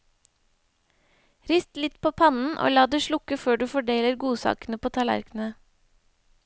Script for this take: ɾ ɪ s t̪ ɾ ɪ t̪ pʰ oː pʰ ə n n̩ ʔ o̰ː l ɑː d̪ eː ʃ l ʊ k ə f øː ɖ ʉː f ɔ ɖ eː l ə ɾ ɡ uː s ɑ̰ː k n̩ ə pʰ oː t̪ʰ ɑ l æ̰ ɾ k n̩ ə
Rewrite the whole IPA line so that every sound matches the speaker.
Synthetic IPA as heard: ɾ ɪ s t̪ l ɪ t̪ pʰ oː pʰ ɑ n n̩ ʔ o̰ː l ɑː d̪ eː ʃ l ʊ k ə f øː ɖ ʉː f ɔ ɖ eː l ə ɾ ɡ uː s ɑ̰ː k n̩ ə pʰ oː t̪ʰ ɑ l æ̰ ɾ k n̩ ə